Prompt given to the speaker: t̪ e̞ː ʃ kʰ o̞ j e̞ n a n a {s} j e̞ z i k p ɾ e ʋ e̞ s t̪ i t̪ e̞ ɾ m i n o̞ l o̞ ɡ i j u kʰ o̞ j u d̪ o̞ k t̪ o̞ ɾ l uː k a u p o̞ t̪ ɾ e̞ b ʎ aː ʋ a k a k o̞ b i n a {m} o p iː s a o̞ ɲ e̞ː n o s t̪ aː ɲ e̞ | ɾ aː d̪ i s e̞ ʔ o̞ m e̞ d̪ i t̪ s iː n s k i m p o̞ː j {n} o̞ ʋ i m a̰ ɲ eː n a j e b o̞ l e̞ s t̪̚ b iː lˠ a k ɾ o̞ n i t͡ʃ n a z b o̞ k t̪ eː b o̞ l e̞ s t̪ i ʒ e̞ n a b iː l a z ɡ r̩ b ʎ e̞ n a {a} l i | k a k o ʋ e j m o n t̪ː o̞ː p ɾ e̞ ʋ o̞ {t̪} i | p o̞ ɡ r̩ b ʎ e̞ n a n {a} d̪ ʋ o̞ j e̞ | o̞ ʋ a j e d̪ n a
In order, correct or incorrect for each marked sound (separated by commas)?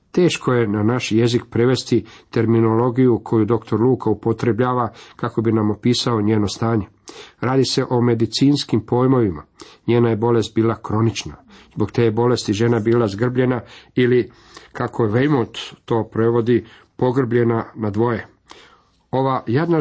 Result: incorrect, correct, incorrect, incorrect, incorrect, correct